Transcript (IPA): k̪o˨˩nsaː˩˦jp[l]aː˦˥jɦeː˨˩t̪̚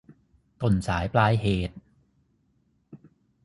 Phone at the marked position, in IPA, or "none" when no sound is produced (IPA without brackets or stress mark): l